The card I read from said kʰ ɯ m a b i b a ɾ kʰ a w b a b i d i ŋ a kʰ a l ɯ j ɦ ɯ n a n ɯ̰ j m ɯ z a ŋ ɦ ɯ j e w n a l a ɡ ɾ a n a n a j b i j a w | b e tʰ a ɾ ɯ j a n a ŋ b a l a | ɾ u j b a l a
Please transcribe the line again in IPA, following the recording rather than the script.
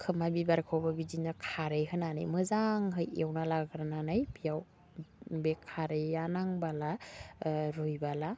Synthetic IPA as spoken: kʰ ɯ m a b i b a ɾ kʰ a w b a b i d i n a kʰ a ɾ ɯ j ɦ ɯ n a n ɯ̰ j m ɯ z a ŋ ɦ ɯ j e w n a l a ɡ ɾ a n a n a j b i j a w | b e kʰ a ɾ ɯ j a n a ŋ b a l a | ɾ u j b a l a